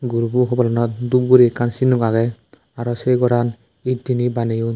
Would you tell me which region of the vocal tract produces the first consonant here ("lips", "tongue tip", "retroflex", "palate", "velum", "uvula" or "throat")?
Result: velum